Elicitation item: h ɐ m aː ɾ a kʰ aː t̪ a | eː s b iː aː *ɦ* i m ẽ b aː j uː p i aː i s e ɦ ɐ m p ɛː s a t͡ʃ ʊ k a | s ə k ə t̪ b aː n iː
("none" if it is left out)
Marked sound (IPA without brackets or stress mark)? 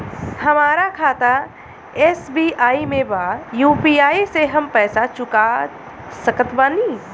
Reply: none